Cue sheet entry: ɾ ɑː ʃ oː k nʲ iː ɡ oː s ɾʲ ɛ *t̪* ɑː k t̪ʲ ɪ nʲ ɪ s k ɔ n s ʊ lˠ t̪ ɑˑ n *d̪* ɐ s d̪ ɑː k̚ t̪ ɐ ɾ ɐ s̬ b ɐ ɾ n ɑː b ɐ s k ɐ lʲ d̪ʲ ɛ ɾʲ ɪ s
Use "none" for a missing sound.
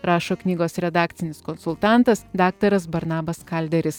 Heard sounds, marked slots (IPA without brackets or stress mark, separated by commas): d̪, t̪